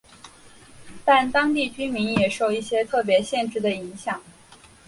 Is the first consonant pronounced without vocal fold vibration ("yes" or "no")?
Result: yes